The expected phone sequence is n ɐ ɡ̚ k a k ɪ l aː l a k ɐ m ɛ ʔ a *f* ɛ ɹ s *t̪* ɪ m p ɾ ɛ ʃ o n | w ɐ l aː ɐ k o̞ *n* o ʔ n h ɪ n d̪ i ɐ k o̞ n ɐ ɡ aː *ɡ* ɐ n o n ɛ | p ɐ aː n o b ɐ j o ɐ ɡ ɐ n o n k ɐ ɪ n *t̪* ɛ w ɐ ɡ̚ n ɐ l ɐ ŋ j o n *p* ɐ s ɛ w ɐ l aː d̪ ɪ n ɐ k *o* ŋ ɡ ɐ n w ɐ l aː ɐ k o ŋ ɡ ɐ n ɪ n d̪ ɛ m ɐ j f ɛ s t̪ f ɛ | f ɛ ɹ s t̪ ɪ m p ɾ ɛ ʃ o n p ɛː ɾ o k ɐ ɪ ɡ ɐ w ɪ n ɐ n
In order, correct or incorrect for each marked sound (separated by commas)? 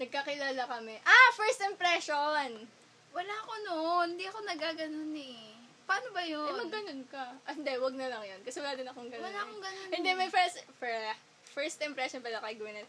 correct, correct, correct, correct, incorrect, incorrect, correct